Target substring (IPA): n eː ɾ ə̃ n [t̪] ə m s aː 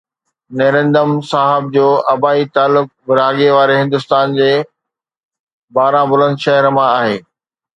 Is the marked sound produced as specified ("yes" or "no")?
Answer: no